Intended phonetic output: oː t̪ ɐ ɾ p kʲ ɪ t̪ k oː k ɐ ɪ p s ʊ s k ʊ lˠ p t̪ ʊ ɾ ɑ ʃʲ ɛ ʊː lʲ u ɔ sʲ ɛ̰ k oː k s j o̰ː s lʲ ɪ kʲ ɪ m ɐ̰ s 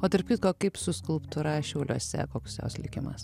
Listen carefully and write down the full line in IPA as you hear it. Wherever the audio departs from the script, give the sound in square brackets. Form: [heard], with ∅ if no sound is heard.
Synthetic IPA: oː t̪ ɐ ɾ p kʲ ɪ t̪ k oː k ɐ ɪ p s ʊ s k ʊ lˠ p t̪ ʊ ɾ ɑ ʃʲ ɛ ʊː lʲ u ɔ sʲ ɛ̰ k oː k s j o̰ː s lʲ ɪ kʲ ɪ m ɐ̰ s